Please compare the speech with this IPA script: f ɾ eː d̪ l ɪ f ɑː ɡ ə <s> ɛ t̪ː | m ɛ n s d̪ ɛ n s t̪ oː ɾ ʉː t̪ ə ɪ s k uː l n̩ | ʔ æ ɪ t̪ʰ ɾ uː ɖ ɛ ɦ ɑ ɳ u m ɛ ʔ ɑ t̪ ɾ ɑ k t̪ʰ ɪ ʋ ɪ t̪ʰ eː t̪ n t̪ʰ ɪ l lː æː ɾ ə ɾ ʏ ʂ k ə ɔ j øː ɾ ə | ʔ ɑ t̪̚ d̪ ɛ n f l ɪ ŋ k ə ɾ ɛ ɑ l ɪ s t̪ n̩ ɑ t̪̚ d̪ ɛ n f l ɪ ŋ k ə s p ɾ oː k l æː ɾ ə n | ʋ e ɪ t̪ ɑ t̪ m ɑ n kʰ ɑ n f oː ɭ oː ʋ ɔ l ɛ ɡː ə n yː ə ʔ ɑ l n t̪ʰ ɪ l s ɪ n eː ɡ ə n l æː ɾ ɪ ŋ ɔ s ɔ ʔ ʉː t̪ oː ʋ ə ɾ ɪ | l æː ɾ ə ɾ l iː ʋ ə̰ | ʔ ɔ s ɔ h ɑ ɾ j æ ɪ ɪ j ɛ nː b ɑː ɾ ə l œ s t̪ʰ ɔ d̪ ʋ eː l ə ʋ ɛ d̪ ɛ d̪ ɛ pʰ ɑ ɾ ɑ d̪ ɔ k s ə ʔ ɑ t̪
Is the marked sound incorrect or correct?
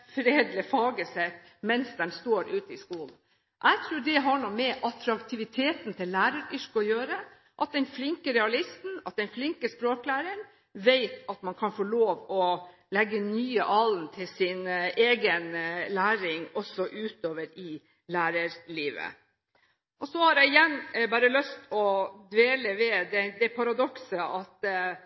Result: correct